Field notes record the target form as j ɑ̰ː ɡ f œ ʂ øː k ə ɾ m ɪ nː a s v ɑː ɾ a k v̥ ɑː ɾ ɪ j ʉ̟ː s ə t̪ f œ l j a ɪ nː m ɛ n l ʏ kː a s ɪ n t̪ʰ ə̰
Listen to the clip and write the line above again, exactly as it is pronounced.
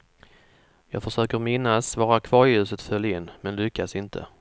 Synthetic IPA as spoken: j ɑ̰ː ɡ f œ ʂ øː k ə ɾ m ɪ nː a s v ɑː ɾ a kʰ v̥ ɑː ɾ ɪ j ʉ̟ː s ə t̪ f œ l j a ɪ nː m ɛ n l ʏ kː a s ɪ n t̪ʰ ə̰